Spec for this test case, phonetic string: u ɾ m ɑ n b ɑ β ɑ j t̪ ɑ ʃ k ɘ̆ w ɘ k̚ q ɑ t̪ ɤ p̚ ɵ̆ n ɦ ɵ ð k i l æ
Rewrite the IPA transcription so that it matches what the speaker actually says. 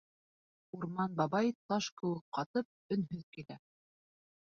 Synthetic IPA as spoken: u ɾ m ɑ n b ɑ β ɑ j t̪ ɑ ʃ k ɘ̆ w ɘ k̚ q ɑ t̪ ɤ p̚ ɵ̆ n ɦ ɵ ð k i l æ